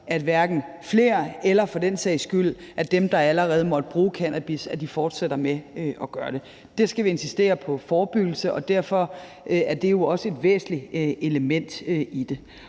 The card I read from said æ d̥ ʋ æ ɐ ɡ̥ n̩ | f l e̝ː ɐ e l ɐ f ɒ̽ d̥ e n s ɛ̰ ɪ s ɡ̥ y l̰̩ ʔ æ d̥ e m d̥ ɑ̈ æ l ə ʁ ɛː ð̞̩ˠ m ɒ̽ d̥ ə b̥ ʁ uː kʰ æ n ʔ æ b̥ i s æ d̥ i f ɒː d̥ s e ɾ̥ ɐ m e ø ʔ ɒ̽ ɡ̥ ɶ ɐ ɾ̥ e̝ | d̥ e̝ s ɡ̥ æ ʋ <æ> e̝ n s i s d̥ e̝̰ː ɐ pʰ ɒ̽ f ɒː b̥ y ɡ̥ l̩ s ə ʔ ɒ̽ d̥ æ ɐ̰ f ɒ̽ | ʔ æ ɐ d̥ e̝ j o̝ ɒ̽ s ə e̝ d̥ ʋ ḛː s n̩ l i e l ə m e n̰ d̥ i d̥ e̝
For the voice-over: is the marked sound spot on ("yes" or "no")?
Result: no